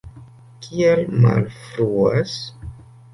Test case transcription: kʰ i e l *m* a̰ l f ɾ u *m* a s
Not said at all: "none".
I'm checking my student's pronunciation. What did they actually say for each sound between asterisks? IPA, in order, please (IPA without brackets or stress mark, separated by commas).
m, none